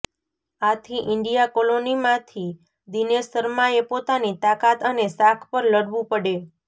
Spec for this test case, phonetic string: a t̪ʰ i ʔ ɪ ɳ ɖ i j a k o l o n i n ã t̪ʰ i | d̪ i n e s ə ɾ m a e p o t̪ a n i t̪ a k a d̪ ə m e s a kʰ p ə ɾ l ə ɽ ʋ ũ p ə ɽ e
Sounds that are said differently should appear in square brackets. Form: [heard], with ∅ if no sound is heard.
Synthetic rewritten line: a t̪ʰ i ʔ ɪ ɳ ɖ i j a k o l o n i [m] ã t̪ʰ i | d̪ i n e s ə ɾ m a e p o t̪ a n i t̪ a k a [t̪] ə [n] e s a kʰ p ə ɾ l ə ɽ ʋ ũ p ə ɽ e